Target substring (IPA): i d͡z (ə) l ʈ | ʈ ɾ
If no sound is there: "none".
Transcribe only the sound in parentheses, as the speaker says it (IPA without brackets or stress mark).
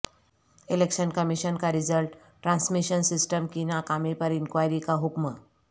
ə